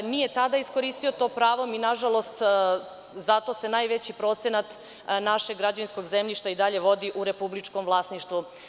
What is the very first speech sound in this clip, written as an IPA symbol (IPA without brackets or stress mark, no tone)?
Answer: n